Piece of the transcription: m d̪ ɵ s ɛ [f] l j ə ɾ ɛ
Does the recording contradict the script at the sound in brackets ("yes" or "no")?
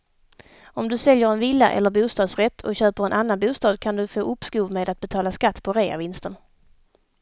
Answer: yes